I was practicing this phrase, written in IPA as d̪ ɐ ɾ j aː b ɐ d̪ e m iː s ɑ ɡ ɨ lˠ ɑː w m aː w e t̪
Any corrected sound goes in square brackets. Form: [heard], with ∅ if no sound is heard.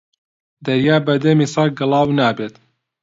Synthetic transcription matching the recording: d̪ ɐ ɾ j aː b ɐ d̪ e m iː s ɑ ɡ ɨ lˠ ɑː w [n] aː [b] e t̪